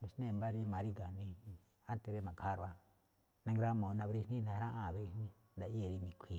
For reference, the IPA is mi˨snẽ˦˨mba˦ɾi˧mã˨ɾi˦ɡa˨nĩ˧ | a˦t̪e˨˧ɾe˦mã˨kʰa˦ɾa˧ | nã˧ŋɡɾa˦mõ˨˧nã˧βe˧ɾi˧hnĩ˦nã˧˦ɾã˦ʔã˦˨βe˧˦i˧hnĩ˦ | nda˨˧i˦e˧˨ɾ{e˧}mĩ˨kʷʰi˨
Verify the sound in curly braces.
incorrect: i˧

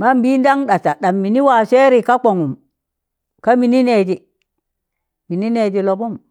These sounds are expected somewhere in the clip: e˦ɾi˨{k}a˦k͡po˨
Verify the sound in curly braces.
correct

